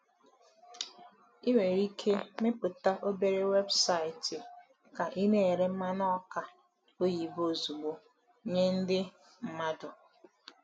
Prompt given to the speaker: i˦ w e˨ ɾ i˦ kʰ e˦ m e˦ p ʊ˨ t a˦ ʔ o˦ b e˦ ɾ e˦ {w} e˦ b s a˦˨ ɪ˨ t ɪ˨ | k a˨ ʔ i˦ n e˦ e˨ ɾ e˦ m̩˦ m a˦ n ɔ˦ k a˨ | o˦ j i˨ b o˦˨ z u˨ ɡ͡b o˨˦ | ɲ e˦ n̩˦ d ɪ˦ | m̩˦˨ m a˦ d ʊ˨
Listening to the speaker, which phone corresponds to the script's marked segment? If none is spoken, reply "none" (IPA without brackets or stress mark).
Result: w